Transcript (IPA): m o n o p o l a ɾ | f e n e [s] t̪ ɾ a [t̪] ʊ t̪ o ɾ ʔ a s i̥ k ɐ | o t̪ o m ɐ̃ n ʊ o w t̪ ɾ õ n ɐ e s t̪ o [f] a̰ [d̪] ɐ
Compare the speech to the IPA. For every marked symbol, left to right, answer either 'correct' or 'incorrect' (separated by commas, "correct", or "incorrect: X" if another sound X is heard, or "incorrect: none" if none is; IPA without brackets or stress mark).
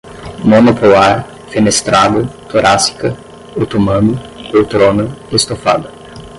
correct, incorrect: d̪, correct, correct